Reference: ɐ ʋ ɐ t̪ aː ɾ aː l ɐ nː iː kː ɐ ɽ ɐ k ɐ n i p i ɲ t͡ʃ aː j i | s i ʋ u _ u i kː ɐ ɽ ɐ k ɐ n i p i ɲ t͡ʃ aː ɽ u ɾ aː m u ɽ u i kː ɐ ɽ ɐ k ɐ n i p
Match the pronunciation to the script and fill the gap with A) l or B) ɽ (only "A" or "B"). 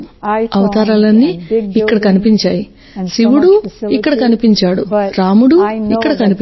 B